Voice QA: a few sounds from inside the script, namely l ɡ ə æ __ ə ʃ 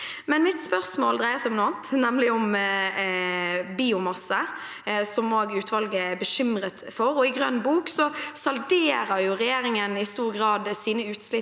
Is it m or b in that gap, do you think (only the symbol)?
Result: b